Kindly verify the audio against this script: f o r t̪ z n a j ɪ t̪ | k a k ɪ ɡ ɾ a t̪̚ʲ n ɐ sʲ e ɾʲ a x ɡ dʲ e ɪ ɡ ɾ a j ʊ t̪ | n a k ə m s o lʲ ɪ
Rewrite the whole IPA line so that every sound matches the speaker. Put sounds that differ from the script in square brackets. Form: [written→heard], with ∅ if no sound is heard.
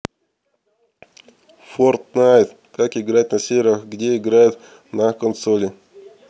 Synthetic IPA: f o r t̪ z n a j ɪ t̪ | k a k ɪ ɡ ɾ a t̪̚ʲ n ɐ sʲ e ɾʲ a x ɡ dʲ e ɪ ɡ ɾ a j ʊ t̪ | n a k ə [m→n] s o lʲ ɪ